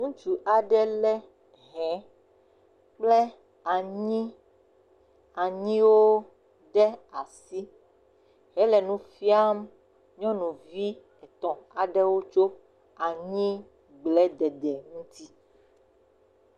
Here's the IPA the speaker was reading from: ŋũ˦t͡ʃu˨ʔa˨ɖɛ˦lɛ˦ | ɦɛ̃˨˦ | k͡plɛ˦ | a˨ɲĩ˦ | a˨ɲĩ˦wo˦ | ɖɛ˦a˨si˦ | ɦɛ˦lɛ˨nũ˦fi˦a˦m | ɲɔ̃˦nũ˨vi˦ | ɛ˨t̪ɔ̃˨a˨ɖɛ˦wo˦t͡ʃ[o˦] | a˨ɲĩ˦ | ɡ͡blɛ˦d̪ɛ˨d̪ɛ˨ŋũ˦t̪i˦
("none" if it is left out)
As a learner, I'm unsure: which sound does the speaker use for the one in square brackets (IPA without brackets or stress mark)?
o˦